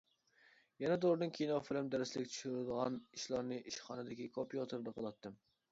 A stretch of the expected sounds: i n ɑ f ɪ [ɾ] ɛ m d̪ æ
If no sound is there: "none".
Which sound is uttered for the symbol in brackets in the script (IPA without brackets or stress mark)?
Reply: l